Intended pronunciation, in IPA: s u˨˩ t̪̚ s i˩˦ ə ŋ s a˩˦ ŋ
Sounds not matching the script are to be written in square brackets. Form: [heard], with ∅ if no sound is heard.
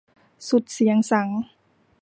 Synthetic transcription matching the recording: s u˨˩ t̪̚ s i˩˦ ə ŋ s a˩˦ ŋ